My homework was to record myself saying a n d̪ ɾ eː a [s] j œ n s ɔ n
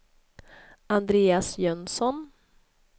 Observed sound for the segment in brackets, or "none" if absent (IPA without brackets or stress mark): s